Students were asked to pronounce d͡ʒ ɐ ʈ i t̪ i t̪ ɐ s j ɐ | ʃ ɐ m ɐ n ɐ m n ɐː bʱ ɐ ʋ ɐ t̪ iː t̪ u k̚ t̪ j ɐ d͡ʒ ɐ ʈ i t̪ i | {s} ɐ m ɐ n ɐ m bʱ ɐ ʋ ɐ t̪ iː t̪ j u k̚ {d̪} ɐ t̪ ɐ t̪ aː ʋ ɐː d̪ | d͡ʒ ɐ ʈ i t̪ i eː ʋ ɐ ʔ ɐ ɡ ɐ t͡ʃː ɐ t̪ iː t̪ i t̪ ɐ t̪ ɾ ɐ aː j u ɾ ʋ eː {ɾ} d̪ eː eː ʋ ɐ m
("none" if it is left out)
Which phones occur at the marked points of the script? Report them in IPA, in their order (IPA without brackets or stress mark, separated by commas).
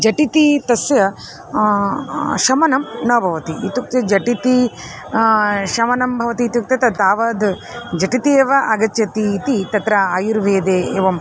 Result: ʃ, t̪, none